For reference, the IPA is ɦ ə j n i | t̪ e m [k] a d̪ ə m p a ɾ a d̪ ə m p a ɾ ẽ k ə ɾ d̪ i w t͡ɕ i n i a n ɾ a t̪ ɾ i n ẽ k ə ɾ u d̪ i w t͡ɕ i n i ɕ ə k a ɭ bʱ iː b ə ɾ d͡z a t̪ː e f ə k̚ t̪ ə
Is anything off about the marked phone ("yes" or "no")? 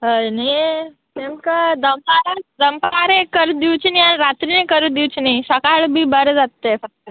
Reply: no